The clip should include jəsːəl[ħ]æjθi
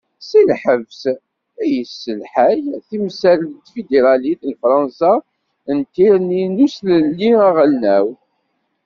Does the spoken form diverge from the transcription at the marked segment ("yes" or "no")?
no